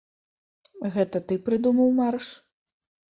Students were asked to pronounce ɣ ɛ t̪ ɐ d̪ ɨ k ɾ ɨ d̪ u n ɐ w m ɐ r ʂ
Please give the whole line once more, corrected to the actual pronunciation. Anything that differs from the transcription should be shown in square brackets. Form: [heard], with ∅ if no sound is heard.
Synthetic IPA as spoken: ɣ ɛ t̪ ɐ [t̪] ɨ [p] ɾ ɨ d̪ u [m] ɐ w m [a] r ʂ